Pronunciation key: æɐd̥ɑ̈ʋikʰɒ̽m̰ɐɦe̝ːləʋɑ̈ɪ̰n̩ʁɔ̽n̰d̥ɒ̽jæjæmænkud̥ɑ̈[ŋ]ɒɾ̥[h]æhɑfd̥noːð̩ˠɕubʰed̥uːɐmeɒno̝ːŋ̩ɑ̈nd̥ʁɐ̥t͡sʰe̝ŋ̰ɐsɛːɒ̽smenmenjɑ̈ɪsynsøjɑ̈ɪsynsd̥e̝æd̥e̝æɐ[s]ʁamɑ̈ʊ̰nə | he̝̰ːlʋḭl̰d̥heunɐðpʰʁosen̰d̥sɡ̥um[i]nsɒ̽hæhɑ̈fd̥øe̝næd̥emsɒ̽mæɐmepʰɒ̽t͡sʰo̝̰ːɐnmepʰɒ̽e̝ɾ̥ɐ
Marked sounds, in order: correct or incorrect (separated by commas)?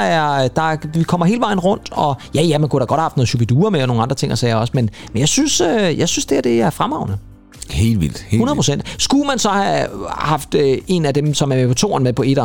incorrect, correct, incorrect, incorrect